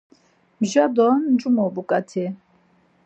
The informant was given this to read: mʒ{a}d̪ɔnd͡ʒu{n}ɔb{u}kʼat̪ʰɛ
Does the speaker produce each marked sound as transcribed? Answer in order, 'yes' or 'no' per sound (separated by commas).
yes, no, yes